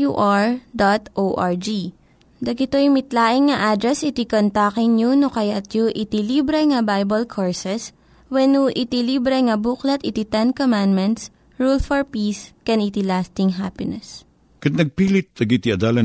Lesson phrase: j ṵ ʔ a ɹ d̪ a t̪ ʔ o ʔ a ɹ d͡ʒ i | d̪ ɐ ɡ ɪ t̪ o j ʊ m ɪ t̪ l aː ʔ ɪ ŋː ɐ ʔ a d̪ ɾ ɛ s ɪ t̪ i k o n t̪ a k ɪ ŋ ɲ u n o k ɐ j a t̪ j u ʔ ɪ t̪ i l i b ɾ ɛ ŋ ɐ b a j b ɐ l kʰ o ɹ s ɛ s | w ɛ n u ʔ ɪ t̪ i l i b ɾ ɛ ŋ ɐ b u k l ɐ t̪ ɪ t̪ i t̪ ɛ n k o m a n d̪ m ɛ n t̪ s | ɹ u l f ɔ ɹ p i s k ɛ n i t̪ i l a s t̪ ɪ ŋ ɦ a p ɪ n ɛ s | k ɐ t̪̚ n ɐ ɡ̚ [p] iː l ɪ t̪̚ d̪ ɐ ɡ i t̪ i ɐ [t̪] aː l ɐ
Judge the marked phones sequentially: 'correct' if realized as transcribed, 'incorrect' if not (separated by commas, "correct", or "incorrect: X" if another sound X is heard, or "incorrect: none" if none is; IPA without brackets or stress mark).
correct, incorrect: d̪